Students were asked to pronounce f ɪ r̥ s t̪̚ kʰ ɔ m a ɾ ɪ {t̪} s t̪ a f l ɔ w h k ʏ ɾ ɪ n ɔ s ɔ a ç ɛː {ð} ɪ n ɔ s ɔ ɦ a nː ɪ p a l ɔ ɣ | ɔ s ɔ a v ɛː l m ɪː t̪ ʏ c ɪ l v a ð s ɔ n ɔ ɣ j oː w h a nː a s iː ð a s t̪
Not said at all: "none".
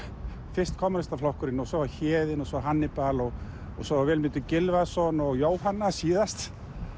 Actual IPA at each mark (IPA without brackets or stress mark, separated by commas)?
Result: none, ð